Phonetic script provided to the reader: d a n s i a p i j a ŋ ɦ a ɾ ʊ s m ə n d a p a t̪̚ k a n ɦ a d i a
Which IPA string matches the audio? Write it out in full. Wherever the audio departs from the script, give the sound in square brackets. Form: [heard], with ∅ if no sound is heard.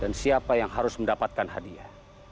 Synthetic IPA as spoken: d a n s i a p [a] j a ŋ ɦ a ɾ ʊ s m ə n d a p a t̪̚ k a n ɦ a d i a

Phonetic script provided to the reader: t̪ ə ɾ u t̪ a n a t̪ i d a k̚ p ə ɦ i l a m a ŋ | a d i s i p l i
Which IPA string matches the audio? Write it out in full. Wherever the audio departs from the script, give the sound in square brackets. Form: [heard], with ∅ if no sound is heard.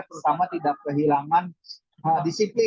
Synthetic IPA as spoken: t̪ ə ɾ u t̪ a [m] a t̪ i d a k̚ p ə ɦ i l a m a [n] | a d i s i p l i

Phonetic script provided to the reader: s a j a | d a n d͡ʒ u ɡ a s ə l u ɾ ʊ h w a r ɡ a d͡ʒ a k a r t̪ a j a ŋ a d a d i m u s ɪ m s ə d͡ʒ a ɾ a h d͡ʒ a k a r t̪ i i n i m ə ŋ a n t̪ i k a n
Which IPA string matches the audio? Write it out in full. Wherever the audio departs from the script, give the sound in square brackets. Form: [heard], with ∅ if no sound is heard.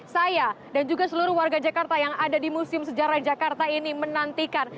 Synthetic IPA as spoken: s a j a | d a n d͡ʒ u ɡ a s ə l u ɾ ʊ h w a r ɡ a d͡ʒ a k a r t̪ a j a ŋ a d a d i m u s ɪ m s ə d͡ʒ a ɾ a h d͡ʒ a k a r t̪ [a] i n i m ə [n] a n t̪ i k a n

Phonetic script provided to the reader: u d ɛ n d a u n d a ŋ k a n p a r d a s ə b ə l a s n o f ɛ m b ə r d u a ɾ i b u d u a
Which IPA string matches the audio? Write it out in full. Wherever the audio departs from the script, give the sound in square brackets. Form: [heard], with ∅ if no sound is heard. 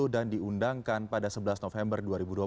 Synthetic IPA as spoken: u d [a] n d [i] u n d a ŋ k a n p a [∅] d a s ə b ə l a s n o f ɛ m b ə r d u a ɾ i b u d u a

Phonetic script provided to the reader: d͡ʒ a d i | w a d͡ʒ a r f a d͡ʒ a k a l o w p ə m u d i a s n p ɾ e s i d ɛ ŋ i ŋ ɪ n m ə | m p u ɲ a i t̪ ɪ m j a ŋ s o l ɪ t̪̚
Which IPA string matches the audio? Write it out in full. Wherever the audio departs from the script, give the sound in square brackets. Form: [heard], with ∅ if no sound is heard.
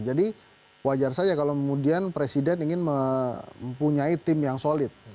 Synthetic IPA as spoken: d͡ʒ a d i | w a d͡ʒ a r [s] a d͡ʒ a k a l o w [k] ə m u d i a [∅] n p ɾ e s i d ɛ [n] i ŋ ɪ n m ə | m p u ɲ a i t̪ ɪ m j a ŋ s o l ɪ t̪̚

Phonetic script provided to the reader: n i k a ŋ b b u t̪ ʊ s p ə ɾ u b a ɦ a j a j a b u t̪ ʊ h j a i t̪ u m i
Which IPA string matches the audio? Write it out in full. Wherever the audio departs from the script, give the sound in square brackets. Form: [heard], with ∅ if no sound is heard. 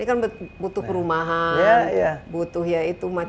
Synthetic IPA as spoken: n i k a [n] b b u t̪ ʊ [h] p ə ɾ u [m] a ɦ a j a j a b u t̪ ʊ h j a i t̪ u m [a]

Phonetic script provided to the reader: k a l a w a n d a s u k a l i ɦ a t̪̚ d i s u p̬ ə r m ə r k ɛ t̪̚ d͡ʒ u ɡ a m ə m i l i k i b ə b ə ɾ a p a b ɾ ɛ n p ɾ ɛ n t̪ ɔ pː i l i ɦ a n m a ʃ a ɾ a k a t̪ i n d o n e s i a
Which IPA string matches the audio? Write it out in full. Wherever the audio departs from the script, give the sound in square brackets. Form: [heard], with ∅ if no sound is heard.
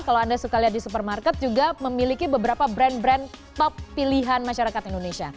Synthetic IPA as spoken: k a l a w a n d a s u k a l i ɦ a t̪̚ d i s u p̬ ə r m [a] r k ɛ t̪̚ d͡ʒ u ɡ a m ə m i l i k i b ə b ə ɾ a p a b ɾ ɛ n [b] ɾ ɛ n t̪ ɔ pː i l i ɦ a n m a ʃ a ɾ a k a t̪ i n d o n e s i a

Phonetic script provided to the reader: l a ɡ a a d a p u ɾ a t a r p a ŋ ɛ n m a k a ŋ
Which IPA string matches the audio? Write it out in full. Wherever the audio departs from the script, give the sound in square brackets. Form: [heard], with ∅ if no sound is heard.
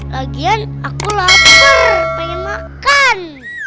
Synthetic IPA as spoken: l a ɡ [i] a [n] a [k] u [l] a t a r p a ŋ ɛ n m a k a [n]

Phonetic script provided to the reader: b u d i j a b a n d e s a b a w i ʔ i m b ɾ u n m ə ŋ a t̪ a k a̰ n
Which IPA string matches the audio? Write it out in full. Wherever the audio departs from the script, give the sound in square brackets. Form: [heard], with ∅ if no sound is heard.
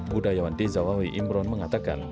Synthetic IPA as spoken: b u d [a] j a [w] a n d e [z] a [w] a w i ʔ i m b ɾ [ɔ] n m ə ŋ a t̪ a k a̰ n

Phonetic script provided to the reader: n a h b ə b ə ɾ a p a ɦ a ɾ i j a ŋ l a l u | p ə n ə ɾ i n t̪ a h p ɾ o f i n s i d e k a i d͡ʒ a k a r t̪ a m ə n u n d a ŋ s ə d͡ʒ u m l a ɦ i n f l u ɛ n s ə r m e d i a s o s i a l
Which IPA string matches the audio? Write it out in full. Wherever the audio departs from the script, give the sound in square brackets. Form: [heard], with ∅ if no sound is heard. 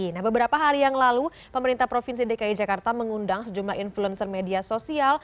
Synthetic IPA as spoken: n a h b ə b ə ɾ a p a ɦ a ɾ i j a ŋ l a l u | p ə [m] ə ɾ i n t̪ a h p ɾ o f i n s i d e k a i d͡ʒ a k a r t̪ a m ə [ŋ] u n d a ŋ s ə d͡ʒ u m l a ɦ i n f l u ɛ n s ə r m e d i a s o s i a l

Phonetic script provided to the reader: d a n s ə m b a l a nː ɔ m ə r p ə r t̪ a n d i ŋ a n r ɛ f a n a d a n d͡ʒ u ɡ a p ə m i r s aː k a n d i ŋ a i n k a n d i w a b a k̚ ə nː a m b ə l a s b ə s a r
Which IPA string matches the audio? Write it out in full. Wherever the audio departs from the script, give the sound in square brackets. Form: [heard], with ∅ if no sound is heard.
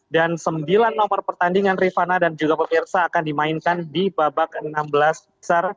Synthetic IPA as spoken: d a n s ə m b [i] l a nː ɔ m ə r p ə r t̪ a n d i ŋ a n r [i] f a n a d a n d͡ʒ u ɡ a p ə m i r s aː k a n d i [m] a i n k a n d i [b] a b a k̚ ə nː a m b ə l a s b ə s a r

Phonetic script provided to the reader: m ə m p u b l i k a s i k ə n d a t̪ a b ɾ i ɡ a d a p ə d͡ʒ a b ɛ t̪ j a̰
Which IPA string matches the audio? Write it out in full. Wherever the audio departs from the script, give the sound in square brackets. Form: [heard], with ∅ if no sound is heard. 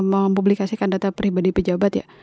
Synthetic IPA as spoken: m ə m p u b l i k a s i k [a] n d a t̪ a [p] ɾ i [b] a d [i] p ə d͡ʒ a b [a] t̪ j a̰

